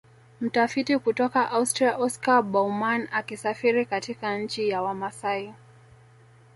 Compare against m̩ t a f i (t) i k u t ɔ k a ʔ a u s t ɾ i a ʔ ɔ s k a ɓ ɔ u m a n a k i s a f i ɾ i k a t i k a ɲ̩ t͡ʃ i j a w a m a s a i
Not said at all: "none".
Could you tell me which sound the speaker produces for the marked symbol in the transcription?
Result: t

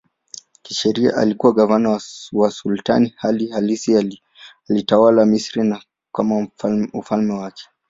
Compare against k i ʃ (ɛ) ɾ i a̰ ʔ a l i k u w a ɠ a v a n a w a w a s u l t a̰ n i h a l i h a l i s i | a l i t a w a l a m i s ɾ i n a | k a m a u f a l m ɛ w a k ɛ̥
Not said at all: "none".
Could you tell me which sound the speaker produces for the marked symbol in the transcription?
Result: ɛ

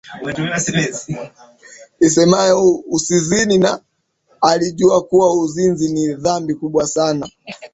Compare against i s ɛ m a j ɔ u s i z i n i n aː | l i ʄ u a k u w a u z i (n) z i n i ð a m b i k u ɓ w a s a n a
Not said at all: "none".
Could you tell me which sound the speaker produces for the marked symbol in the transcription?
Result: n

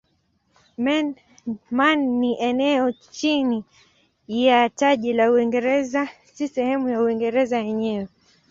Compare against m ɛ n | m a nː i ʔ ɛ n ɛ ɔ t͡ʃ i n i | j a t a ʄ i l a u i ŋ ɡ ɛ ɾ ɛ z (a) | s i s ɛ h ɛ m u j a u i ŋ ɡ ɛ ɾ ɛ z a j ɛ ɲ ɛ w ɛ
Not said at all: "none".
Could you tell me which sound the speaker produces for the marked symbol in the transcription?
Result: a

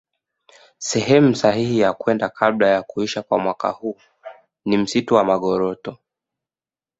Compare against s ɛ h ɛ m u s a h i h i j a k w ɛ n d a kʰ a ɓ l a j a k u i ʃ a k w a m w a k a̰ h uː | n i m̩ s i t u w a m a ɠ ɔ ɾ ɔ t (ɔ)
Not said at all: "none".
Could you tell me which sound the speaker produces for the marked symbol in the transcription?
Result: ɔ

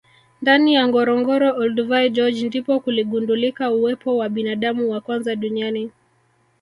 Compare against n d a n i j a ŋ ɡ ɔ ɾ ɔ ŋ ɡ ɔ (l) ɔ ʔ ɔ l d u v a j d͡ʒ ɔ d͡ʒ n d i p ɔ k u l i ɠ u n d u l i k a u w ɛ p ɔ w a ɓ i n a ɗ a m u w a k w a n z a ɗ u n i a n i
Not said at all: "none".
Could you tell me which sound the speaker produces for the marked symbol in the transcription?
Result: ɾ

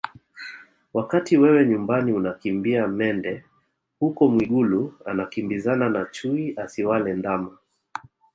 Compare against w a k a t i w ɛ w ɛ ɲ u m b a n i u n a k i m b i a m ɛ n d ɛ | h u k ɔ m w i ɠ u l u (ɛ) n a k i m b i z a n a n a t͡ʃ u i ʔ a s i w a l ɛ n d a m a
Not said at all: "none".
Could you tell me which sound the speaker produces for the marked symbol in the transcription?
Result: a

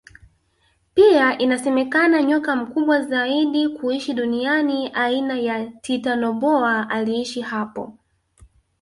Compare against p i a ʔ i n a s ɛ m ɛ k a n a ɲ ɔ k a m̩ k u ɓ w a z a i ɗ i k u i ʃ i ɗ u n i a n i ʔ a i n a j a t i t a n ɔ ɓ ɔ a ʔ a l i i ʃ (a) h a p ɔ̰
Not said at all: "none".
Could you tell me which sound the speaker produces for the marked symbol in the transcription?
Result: i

